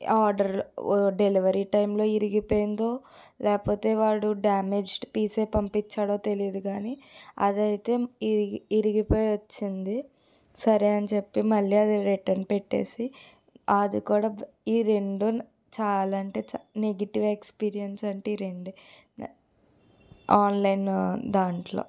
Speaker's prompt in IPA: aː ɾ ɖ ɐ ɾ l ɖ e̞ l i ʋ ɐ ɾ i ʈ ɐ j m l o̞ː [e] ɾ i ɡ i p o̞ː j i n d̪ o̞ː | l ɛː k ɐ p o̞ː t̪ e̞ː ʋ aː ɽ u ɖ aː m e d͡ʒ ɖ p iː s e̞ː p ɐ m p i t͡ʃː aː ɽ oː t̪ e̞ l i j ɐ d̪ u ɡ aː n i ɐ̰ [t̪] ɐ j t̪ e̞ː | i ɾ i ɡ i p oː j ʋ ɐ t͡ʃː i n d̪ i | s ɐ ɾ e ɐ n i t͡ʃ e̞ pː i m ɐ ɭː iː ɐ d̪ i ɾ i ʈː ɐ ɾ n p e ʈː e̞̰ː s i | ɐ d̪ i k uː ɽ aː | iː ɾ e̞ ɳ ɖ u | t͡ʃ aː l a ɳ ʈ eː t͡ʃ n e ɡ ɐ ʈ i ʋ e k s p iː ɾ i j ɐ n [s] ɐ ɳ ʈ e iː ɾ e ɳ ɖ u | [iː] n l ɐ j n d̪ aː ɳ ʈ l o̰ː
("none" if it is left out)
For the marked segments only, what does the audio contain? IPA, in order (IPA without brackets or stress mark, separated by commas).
i, d̪, s, aː